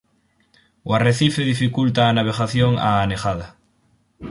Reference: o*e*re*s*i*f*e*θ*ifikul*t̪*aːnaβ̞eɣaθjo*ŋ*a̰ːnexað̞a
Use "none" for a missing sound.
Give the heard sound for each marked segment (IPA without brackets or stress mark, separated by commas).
a, θ, f, ð, t̪, ŋ